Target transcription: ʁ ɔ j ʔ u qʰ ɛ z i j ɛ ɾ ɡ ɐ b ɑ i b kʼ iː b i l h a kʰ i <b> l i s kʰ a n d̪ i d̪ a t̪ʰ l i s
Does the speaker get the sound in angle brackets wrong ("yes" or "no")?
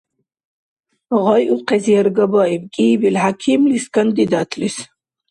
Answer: yes